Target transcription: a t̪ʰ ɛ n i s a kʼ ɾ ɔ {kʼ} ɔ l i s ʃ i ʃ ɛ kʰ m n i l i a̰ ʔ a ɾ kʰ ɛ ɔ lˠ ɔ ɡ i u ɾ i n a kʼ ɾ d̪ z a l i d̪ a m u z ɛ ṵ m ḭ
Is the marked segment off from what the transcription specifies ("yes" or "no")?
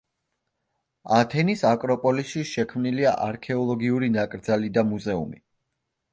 yes